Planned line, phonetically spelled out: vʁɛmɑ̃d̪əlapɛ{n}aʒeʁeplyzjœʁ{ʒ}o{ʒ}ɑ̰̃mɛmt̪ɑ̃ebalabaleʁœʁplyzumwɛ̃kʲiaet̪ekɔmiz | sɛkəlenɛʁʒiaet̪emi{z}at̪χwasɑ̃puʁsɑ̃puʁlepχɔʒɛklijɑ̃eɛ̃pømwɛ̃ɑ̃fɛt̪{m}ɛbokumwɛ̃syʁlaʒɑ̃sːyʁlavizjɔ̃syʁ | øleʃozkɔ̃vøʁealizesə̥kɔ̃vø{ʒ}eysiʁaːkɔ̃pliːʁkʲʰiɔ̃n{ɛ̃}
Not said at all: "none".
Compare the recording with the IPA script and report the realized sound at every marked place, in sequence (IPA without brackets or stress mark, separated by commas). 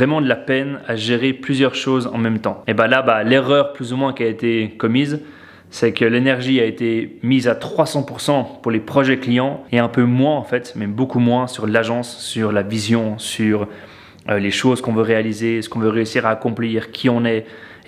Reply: n, ʃ, z, z, m, ʁ, ɛ